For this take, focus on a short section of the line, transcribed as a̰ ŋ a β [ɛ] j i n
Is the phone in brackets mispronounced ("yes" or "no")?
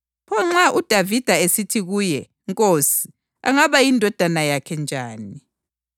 yes